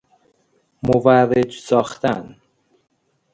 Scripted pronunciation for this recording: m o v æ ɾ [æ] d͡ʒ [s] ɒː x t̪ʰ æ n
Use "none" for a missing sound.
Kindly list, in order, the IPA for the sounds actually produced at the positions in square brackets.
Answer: e, s

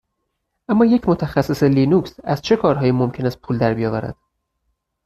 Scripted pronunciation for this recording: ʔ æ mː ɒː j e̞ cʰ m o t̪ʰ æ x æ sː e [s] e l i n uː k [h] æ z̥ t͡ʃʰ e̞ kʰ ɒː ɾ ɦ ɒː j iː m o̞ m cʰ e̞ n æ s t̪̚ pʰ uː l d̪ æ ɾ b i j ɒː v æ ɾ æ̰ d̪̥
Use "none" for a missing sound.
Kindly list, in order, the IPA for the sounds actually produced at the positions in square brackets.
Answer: s, s

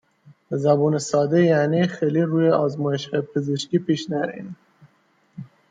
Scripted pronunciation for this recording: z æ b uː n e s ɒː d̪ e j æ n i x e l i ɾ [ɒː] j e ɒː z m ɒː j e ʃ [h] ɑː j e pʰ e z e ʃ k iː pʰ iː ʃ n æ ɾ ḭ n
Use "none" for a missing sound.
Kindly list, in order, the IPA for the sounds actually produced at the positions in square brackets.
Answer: uː, h

